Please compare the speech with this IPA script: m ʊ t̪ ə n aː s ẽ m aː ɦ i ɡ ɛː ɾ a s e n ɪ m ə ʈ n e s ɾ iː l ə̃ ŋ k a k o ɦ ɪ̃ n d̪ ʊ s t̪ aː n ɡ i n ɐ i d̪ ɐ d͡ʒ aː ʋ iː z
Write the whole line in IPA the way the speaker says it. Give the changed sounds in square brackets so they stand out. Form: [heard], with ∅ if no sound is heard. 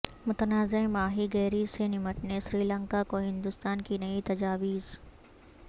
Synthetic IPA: m ʊ t̪ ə n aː [z] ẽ m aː ɦ i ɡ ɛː ɾ [i] s e n ɪ m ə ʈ n e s ɾ iː l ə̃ ŋ k a k o ɦ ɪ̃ n d̪ ʊ s t̪ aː n [k] i n ɐ i [t̪] ɐ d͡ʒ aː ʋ iː z